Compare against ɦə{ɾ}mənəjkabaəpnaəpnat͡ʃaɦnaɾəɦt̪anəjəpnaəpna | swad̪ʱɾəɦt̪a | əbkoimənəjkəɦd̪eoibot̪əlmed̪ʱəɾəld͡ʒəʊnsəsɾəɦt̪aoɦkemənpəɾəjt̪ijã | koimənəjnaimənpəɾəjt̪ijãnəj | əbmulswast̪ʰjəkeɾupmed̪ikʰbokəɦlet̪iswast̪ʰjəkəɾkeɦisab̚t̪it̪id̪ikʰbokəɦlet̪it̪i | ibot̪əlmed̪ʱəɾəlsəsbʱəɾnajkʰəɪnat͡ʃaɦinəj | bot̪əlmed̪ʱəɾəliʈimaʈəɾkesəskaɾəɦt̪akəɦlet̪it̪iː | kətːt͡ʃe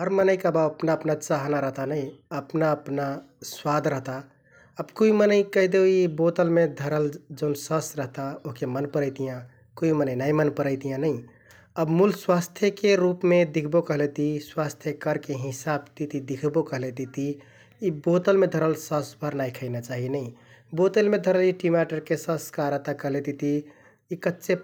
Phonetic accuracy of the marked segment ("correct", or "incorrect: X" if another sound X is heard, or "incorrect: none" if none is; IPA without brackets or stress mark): correct